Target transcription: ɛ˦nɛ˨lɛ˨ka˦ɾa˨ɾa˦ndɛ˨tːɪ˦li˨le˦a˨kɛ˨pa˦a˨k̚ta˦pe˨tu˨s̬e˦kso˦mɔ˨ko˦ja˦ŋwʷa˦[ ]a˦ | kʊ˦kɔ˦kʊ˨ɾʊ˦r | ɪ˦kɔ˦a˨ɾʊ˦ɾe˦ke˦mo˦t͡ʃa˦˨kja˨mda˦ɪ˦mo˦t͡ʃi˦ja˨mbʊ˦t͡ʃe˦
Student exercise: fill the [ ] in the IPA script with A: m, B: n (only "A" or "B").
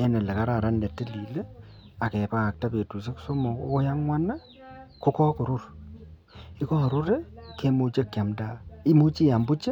B